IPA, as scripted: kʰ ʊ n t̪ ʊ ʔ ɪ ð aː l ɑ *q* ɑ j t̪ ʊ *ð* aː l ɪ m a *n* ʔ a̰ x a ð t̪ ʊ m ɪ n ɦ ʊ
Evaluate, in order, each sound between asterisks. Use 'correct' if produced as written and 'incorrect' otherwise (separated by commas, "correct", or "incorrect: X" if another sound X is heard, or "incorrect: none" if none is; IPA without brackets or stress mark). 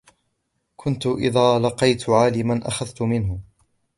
correct, incorrect: ʕ, correct